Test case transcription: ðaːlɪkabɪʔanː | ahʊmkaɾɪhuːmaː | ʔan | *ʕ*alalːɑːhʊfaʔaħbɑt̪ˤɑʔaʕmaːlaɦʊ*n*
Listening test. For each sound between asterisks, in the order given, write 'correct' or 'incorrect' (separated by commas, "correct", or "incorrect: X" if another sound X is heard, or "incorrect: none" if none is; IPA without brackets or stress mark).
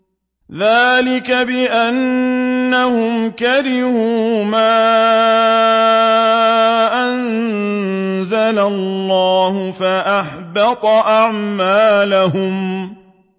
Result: incorrect: z, incorrect: m